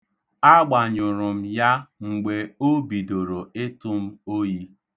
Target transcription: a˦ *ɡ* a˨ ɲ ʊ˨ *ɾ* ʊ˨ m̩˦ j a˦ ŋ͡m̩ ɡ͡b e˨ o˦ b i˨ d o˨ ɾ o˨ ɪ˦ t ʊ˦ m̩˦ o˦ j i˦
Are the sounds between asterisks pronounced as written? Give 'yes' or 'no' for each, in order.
no, yes

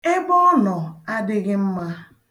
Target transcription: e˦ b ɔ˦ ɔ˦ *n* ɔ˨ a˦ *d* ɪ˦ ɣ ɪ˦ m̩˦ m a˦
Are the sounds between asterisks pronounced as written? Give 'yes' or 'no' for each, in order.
yes, yes

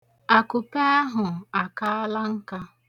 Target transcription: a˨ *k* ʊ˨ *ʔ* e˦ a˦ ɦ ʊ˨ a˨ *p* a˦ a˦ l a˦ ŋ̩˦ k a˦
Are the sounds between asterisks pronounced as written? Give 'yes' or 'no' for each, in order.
yes, no, no

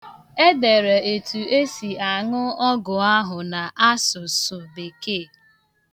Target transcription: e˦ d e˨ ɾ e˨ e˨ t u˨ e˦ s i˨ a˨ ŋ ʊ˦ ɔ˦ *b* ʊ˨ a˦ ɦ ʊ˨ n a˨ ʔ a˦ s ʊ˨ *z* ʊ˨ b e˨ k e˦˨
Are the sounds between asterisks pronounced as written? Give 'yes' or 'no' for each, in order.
no, no

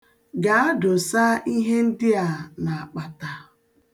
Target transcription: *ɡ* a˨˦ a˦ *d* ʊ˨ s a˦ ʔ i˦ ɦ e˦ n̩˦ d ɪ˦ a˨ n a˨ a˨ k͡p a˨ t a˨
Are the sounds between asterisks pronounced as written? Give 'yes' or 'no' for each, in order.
yes, yes

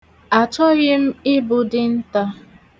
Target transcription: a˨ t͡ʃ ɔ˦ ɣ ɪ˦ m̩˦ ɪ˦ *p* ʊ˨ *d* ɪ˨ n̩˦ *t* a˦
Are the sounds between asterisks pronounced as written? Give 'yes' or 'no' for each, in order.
no, yes, yes

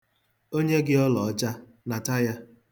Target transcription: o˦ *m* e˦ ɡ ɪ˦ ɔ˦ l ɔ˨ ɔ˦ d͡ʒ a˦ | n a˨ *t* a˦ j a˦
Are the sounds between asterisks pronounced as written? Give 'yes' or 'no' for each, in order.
no, yes

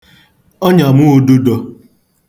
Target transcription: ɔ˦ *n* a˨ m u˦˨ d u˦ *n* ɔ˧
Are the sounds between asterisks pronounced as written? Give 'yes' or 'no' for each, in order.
no, no

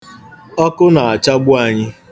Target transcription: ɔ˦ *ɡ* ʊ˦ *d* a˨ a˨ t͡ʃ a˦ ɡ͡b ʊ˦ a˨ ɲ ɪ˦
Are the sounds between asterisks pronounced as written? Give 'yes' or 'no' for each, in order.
no, no

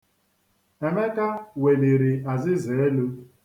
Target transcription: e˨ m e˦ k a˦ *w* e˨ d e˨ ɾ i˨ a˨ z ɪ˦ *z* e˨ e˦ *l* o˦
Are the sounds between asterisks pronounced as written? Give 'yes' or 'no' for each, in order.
yes, yes, yes

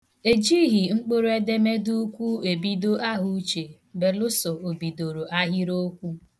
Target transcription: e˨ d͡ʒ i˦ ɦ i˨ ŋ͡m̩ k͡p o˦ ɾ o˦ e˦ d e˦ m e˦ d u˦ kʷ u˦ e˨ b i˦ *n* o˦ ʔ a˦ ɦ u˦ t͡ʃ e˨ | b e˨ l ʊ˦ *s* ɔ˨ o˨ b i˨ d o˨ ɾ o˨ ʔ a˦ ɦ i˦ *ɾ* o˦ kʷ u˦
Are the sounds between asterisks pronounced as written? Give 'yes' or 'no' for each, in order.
no, yes, yes

